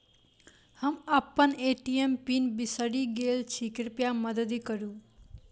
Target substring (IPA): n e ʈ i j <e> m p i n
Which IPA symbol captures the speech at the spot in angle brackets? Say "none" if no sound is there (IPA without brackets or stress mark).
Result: e